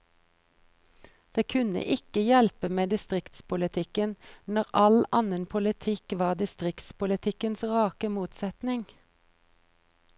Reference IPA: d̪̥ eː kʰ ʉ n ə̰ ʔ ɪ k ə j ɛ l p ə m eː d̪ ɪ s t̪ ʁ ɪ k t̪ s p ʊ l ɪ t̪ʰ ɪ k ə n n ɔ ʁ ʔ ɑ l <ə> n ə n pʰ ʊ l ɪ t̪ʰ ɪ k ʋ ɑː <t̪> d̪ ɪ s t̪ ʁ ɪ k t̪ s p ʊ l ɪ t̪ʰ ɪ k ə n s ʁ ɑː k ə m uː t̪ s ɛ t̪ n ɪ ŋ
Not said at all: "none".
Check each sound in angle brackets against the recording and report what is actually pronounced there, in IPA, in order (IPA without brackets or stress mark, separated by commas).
ɑ, none